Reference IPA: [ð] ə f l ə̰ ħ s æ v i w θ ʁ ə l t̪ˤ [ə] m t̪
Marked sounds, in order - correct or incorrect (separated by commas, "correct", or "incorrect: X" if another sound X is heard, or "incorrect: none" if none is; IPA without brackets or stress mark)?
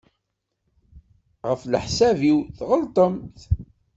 incorrect: ʁ, correct